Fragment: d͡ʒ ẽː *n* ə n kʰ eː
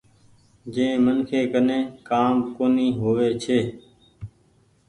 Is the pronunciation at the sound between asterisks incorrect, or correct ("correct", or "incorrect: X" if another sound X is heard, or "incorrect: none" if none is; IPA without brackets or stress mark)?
incorrect: m